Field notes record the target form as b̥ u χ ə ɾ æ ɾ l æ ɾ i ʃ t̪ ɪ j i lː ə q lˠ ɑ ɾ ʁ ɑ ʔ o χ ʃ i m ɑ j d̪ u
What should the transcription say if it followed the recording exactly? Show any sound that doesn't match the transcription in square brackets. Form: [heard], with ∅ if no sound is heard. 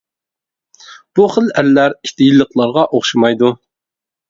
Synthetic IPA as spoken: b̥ u χ ə [l] æ ɾ l æ ɾ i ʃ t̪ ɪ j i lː ə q lˠ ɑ ɾ ʁ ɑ ʔ o χ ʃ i m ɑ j d̪ u